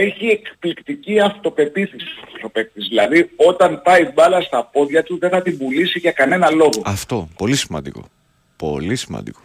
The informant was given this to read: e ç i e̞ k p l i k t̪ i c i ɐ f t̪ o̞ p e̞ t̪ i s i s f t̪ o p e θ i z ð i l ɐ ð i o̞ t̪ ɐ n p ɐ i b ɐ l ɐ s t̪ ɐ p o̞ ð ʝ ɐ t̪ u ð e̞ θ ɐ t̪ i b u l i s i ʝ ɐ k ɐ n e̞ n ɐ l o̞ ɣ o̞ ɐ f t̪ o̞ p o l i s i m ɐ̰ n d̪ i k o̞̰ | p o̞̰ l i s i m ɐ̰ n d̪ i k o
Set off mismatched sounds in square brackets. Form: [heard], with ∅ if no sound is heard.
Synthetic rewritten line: e ç i e̞ k p l i k t̪ i c i ɐ f t̪ o̞ p e̞ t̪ i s i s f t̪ o p e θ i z ð i l ɐ ð i o̞ t̪ ɐ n p ɐ i b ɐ l ɐ s t̪ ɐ p o̞ ð ʝ ɐ t̪ u ð e̞ θ ɐ t̪ i b u l i s i ʝ ɐ k ɐ n e̞ n ɐ l o̞ ɣ o̞ ɐ f t̪ o̞ p o l i s i m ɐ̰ n d̪ i k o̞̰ | p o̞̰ l i s i m ɐ̰ n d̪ i k o